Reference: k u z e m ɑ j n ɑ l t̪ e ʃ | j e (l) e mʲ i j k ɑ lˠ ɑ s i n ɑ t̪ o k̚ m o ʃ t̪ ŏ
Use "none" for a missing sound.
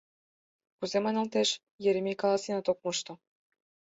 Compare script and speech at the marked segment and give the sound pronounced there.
ɾ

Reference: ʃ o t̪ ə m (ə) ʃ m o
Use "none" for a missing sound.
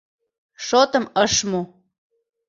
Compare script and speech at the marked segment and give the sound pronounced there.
ə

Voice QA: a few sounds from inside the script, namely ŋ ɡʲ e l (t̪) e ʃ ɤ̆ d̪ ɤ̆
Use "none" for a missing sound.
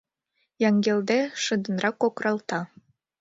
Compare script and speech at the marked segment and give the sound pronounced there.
d̪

